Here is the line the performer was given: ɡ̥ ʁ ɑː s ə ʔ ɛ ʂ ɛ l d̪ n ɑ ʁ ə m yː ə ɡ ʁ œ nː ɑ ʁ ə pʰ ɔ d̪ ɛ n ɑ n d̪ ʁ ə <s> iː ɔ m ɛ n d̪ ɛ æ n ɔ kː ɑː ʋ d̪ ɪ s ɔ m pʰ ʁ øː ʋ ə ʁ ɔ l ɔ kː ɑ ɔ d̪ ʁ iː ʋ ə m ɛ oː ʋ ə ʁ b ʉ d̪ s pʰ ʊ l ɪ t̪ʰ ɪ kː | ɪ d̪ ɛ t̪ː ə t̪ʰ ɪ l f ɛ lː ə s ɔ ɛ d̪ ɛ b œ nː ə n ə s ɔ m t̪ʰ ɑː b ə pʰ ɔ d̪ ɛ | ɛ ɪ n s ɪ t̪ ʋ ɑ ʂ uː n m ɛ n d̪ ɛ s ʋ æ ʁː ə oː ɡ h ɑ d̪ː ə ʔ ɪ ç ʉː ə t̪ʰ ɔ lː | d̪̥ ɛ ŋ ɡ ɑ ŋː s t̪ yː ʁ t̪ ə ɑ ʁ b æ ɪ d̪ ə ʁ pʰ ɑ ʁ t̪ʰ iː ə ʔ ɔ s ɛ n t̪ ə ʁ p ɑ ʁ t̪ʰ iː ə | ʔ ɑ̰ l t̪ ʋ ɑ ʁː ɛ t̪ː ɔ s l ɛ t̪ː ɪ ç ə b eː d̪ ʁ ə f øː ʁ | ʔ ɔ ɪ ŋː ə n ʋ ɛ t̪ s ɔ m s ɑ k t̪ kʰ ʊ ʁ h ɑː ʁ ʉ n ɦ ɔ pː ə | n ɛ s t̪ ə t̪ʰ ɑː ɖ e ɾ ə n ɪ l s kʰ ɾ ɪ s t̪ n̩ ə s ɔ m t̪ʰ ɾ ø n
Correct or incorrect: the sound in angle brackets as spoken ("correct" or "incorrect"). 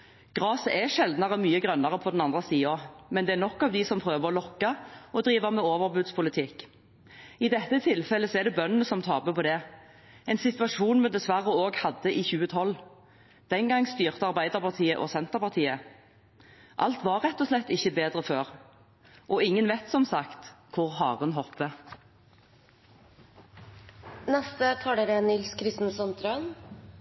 correct